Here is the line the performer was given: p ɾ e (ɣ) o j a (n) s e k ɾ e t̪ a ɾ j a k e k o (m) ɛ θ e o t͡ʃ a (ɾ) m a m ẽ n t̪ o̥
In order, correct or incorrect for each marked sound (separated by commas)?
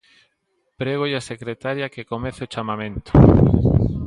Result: correct, incorrect, correct, incorrect